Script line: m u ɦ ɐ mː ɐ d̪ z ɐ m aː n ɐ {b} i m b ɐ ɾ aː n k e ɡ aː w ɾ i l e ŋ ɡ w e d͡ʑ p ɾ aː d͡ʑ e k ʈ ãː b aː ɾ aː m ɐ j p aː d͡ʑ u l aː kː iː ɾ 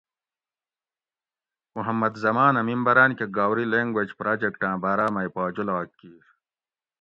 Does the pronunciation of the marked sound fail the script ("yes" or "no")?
yes